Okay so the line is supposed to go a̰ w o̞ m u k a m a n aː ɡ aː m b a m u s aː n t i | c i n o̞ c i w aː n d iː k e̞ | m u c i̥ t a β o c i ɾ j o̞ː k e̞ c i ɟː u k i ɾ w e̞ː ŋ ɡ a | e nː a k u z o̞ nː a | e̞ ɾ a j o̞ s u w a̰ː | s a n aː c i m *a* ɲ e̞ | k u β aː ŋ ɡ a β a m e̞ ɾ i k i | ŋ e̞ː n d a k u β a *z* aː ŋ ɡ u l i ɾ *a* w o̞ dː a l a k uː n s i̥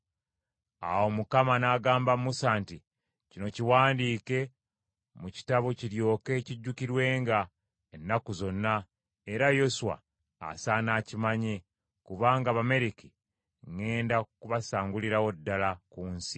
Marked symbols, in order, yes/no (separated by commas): yes, no, yes